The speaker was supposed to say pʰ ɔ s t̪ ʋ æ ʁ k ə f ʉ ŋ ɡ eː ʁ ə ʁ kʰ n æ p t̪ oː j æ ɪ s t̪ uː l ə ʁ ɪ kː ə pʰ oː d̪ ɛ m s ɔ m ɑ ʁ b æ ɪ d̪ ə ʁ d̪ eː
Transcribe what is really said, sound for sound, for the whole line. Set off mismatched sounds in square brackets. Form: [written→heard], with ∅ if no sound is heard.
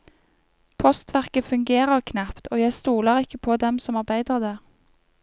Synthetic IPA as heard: pʰ ɔ s t̪ ʋ æ ʁ k ə f ʉ ŋ ɡ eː ʁ ə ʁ kʰ n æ p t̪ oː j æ ɪ s t̪ uː l ə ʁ ɪ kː ə pʰ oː d̪ ɛ m s ɔ m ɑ ʁ b æ ɪ d̪ ə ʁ d̪ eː